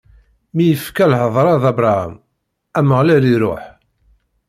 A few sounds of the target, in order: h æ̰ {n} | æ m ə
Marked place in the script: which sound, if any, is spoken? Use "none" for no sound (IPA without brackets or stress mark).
m